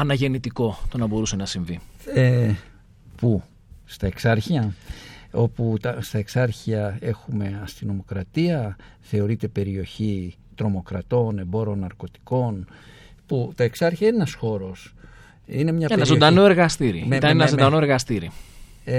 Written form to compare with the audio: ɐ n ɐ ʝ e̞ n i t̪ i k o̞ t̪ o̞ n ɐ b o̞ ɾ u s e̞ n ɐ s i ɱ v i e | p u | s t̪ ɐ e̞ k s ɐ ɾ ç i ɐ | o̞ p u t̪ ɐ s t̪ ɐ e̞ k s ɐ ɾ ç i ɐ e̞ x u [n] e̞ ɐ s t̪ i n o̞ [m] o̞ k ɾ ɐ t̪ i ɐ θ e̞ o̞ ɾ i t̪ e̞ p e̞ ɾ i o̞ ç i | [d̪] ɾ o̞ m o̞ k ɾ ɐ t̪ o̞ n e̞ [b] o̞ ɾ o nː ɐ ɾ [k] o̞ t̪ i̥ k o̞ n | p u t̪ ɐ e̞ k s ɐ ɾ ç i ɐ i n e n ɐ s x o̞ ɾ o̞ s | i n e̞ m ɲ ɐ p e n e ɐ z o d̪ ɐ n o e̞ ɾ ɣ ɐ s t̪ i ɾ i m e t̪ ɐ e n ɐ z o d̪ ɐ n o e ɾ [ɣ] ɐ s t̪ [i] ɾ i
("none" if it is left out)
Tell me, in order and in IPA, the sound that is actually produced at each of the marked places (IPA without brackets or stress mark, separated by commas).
m, m, t̪, b, k, ɣ, i